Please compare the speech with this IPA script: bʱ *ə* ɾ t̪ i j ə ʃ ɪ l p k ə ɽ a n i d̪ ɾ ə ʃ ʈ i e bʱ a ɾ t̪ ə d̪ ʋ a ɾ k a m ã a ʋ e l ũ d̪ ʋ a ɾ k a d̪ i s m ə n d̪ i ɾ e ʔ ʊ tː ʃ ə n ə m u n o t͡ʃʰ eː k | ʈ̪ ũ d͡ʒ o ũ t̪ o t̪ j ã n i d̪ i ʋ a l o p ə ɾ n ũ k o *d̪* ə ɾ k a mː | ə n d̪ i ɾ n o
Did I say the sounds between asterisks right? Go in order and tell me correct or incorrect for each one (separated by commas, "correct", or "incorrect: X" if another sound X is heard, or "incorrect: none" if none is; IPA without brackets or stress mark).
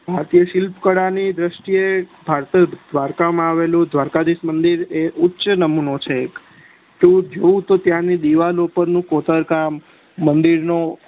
incorrect: a, incorrect: t̪